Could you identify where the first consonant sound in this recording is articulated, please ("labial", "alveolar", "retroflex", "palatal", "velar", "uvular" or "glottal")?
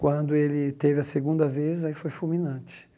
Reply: velar